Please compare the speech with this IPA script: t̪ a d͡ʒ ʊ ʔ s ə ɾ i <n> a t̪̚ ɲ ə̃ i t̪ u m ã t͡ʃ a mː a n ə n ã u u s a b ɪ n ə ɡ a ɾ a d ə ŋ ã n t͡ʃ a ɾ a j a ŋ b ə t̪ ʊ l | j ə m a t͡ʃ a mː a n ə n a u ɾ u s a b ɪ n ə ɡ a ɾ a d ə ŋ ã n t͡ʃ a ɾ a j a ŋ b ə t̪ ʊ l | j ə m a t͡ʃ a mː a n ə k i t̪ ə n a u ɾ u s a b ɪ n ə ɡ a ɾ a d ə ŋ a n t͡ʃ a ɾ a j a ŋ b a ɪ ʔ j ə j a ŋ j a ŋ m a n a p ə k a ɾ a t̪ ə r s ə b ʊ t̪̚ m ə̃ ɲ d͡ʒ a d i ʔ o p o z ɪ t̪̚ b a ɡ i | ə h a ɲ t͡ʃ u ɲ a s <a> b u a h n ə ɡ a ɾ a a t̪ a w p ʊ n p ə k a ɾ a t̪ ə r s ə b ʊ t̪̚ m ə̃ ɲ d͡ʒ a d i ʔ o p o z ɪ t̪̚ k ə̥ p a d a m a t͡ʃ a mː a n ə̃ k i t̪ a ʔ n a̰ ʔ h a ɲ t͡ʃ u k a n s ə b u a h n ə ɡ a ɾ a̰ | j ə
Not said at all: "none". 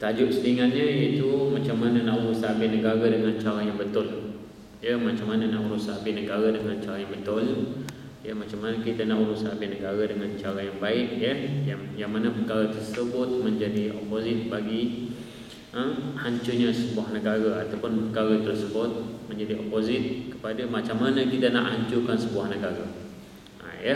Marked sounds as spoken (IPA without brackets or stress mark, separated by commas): ŋ, ə